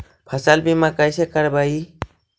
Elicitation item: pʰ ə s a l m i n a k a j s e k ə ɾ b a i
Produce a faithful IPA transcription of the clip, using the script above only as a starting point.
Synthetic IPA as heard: pʰ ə s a l b i m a k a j s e k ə ɾ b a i

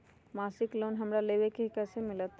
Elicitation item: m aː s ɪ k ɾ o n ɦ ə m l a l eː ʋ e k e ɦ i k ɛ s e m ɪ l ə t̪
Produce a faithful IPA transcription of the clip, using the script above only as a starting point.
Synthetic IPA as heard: m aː s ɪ k l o n ɦ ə m ɾ a l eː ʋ e k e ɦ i k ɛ s e m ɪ l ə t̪

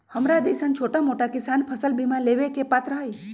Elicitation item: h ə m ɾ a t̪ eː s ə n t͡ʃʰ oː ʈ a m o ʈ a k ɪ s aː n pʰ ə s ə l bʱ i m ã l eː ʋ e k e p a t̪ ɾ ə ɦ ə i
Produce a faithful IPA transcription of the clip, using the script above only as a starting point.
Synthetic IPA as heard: h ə m ɾ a d̪ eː s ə n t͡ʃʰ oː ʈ a m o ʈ a k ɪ s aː n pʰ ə s ə l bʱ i m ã l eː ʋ e k e p a t̪ ɾ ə ɦ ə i

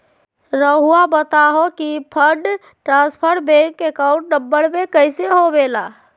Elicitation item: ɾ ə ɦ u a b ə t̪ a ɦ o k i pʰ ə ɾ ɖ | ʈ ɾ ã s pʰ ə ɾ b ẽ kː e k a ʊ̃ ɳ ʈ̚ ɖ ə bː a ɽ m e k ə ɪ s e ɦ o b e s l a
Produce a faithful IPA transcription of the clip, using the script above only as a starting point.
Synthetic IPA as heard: ɾ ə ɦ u a b ə t̪ a ɦ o k i pʰ ə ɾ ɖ | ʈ ɾ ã s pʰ ə ɾ b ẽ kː e k a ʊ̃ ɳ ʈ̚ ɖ ə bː ə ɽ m e k ə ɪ s e ɦ o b e l a

